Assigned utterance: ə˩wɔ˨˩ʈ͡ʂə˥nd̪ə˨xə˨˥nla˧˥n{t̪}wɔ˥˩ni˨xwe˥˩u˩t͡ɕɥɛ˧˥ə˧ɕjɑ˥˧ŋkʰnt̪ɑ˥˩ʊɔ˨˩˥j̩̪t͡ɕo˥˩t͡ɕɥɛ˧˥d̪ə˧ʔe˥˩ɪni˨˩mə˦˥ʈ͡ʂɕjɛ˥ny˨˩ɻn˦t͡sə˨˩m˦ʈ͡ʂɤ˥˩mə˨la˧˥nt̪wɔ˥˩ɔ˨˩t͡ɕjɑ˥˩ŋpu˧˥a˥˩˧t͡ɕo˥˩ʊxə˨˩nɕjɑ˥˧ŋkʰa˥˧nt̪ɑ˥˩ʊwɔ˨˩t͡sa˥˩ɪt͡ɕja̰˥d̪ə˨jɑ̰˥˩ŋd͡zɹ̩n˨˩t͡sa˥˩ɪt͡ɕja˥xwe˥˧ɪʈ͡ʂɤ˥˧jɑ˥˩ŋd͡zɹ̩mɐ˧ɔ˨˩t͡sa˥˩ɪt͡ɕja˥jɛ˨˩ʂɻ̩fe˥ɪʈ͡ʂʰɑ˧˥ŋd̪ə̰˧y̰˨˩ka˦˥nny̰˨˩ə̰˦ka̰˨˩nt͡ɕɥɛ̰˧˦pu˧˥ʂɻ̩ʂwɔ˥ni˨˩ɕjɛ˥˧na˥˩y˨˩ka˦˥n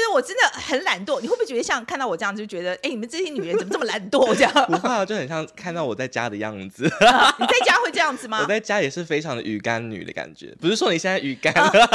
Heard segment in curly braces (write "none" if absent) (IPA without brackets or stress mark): t̪